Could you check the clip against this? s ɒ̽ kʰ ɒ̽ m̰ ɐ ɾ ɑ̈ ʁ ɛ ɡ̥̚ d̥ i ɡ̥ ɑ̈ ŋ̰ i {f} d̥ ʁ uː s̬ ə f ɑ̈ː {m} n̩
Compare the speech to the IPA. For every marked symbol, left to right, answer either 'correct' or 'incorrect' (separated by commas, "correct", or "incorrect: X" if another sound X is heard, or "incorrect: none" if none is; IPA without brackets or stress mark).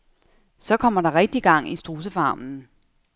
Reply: incorrect: s, correct